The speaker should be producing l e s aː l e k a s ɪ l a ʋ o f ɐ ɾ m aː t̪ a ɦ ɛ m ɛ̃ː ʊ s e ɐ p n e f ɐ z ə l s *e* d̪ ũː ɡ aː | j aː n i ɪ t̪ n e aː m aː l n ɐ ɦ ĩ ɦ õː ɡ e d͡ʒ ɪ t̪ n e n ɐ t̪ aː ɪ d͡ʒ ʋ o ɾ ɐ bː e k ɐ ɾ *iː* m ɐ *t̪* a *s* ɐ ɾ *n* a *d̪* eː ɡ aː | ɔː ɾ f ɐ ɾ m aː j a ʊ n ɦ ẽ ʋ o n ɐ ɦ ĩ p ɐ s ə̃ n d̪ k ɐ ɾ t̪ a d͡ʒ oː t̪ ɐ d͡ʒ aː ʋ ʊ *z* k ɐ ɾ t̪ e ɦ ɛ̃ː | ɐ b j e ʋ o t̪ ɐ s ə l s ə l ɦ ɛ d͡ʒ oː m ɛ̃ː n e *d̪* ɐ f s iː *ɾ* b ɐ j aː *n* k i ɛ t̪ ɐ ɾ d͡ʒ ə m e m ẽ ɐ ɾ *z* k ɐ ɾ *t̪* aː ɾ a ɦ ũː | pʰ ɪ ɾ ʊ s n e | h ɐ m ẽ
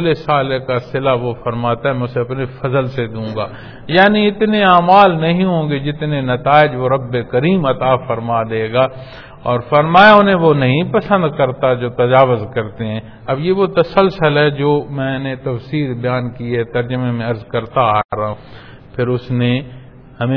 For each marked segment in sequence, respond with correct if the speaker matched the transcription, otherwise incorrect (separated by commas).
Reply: correct, correct, correct, incorrect, incorrect, correct, correct, incorrect, correct, correct, correct, correct